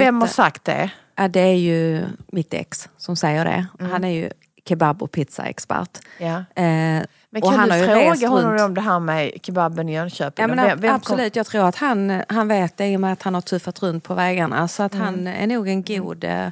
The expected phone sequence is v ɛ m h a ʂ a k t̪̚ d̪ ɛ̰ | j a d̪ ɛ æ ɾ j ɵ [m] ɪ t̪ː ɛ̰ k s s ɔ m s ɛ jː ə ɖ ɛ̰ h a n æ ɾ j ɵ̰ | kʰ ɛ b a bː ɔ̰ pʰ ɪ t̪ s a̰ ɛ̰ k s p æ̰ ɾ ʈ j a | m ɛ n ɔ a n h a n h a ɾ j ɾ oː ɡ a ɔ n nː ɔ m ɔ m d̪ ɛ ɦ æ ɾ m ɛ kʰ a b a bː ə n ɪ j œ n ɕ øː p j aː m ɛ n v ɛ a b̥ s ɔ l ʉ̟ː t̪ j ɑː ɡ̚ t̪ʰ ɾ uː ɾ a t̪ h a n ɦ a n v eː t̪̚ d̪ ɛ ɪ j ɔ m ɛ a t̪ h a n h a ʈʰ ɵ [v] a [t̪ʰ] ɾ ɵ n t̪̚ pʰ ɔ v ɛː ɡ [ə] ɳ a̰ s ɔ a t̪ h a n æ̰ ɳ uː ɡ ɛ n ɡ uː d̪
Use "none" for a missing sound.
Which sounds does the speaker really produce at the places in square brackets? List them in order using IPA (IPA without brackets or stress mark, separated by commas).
m, f, t̪, a